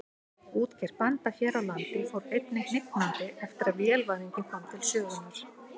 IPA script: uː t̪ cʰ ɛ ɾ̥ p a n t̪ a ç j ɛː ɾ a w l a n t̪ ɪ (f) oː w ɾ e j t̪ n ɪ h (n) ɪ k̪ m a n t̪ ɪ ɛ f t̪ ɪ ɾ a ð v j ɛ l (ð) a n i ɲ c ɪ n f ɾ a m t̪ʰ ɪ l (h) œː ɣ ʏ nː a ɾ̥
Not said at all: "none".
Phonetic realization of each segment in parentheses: f, n, v, s

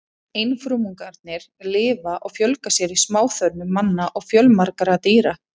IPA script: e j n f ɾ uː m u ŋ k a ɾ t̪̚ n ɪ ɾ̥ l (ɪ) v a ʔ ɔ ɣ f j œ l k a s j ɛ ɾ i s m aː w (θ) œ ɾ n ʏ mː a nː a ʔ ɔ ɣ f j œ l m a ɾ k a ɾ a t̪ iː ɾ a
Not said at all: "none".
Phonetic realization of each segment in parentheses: ɪː, θ

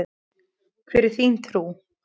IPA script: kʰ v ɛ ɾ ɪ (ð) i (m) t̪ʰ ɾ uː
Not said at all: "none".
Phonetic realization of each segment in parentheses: θ, n

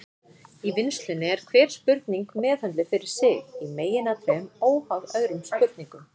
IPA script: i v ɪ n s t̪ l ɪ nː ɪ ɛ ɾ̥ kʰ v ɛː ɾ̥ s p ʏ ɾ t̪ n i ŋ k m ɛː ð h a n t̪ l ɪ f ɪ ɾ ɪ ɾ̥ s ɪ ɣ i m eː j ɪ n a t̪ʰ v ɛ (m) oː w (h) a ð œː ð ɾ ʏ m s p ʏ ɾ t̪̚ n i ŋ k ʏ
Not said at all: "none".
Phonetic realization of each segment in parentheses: m, h

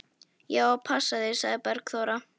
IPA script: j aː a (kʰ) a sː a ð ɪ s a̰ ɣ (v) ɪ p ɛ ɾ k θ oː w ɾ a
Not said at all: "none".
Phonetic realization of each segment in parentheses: pʰ, ð

